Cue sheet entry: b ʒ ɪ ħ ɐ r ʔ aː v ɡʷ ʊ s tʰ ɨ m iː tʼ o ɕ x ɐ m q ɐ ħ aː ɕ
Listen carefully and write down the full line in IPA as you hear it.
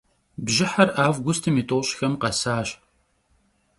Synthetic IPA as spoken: b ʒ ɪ ħ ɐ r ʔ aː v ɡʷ ʊ s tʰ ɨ m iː tʼ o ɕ x ɐ m q ɐ s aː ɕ